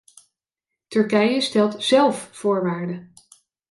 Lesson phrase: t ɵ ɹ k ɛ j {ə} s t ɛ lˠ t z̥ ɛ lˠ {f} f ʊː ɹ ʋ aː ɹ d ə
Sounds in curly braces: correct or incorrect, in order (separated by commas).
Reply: correct, correct